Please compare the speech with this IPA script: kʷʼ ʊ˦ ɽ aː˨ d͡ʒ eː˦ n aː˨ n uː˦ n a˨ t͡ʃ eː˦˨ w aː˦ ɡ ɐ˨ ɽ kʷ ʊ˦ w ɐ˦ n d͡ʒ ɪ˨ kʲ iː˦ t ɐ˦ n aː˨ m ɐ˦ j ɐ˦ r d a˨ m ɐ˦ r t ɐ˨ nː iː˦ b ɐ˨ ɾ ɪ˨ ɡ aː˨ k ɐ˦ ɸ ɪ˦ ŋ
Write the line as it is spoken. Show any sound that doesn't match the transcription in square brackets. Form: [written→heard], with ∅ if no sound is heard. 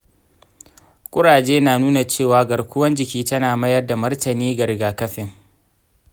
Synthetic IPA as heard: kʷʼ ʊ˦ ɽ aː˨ d͡ʒ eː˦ n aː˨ n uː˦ n a˨ t͡ʃ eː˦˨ w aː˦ ɡ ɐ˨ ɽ kʷ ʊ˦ w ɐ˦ n d͡ʒ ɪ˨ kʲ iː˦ t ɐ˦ n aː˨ m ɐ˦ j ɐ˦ r d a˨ m ɐ˦ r t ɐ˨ [nː→n] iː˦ [b→ɡ] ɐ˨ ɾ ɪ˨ ɡ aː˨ k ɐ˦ ɸ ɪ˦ ŋ